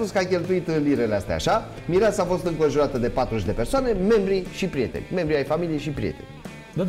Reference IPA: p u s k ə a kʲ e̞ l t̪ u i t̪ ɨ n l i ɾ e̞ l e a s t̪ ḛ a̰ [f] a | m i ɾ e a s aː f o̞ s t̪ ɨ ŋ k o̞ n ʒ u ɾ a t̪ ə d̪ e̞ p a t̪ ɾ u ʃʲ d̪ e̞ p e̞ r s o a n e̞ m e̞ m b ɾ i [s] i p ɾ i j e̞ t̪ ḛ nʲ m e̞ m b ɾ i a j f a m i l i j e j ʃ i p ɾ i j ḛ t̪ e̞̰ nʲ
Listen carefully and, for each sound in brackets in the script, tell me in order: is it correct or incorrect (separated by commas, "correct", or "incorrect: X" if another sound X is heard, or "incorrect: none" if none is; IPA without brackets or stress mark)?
incorrect: ʃ, incorrect: ʃ